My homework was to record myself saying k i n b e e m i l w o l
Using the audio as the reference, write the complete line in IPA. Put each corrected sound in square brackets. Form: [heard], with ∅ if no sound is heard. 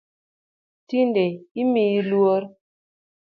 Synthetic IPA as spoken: [t] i n [d] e [i] m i l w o [ɾ]